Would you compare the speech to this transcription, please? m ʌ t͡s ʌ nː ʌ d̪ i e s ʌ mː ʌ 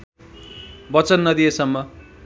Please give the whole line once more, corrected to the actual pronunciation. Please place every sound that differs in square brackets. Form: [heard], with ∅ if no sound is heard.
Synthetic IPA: [b] ʌ t͡s ʌ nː ʌ d̪ i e s ʌ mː ʌ